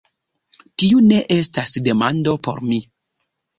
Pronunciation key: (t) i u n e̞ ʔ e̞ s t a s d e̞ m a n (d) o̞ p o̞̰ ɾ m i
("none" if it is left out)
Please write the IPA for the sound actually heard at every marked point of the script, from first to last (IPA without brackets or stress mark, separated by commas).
t, d